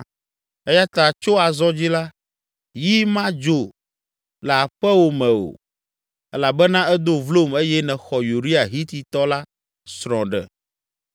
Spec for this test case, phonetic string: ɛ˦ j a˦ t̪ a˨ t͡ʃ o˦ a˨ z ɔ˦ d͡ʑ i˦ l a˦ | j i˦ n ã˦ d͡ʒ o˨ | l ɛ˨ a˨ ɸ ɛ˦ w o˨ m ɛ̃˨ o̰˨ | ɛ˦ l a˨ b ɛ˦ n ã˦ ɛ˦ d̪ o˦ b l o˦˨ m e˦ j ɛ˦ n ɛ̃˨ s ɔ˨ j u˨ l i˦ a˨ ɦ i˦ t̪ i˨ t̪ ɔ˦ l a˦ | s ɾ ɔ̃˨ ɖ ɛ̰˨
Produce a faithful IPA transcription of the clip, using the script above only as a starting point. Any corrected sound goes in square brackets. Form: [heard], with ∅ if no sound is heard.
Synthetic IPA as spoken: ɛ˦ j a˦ t̪ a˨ t͡ʃ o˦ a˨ z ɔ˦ d͡ʑ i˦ l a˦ | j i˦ [m] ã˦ d͡ʒ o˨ | l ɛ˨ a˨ ɸ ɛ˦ w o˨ m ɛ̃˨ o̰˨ | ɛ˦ l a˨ b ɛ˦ n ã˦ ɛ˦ d̪ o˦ [v] l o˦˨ m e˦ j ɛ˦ n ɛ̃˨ [x] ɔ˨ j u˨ [ɾ] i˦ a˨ ɦ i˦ t̪ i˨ t̪ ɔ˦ l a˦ | s ɾ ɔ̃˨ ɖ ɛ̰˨

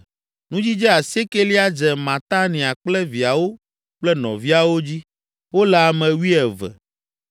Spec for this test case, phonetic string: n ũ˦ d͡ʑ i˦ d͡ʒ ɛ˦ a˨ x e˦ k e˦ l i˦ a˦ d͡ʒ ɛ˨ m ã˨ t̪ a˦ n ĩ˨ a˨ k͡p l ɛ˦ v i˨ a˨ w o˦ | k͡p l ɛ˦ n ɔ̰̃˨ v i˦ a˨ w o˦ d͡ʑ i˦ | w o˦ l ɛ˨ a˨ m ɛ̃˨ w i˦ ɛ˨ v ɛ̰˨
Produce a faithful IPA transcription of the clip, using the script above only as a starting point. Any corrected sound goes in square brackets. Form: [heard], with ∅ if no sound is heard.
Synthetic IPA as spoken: n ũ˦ d͡ʑ i˦ d͡ʒ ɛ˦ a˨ [s] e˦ k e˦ l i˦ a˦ d͡ʒ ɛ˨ m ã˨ t̪ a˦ n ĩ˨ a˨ k͡p l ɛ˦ v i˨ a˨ w o˦ | k͡p l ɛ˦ n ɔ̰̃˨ v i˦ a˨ w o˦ d͡ʑ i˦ | w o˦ l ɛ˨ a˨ m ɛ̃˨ w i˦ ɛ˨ v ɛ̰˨

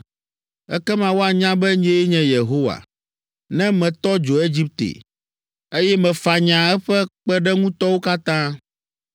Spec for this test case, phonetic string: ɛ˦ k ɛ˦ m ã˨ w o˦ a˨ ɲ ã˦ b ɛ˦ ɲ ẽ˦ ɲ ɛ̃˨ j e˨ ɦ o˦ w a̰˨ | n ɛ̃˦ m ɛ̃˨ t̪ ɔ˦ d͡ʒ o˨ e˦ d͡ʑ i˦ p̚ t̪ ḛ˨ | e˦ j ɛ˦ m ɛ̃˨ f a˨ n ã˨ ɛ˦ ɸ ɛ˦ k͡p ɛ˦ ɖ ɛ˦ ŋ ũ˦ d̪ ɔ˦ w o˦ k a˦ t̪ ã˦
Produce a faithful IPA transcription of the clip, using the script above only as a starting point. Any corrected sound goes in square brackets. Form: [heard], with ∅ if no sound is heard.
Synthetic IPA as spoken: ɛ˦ k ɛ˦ m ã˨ w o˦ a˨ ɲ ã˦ b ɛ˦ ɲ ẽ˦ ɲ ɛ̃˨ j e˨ ɦ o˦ w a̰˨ | n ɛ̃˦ m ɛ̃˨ t̪ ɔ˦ d͡ʒ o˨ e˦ d͡ʑ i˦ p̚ t̪ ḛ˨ | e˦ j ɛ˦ m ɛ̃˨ f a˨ [ɲ] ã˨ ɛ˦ ɸ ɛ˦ k͡p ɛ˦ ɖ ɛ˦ ŋ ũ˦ [t̪] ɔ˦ w o˦ k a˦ t̪ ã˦

